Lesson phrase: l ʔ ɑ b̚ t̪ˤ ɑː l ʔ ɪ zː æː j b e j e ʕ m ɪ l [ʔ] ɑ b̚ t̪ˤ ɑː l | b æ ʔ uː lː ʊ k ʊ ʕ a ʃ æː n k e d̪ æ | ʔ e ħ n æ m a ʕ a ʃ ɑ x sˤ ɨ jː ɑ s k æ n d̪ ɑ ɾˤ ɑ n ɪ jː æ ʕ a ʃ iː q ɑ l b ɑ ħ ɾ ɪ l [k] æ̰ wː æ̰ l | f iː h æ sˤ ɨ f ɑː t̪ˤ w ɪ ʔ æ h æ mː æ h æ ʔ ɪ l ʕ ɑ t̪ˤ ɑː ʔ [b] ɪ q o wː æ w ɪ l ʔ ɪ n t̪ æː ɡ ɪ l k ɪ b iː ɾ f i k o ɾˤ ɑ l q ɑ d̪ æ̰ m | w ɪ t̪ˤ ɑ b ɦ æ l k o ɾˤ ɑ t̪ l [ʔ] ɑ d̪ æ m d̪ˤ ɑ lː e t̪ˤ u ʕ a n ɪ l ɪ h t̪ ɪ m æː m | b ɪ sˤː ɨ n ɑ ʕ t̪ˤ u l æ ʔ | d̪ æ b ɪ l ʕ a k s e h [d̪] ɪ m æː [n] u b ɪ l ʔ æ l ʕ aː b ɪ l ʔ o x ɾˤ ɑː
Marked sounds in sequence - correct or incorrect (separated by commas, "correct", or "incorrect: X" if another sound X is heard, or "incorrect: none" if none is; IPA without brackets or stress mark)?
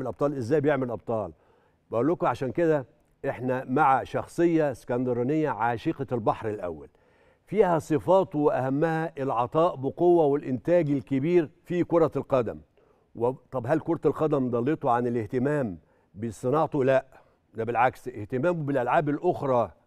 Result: correct, incorrect: ʔ, correct, incorrect: q, incorrect: t̪, incorrect: m